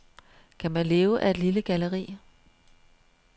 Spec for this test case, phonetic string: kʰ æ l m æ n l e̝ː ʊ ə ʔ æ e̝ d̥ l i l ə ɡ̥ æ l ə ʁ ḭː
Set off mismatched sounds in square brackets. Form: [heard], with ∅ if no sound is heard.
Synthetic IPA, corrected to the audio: kʰ æ [∅] m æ n l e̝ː ʊ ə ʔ æ e̝ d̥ l i l ə ɡ̥ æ l ə ʁ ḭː